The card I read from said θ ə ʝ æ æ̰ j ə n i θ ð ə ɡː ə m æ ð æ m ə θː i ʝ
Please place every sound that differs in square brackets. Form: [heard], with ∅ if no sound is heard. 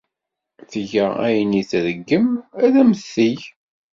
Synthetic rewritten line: θ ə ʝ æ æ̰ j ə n i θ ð ə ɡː ə m æ ð æ m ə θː i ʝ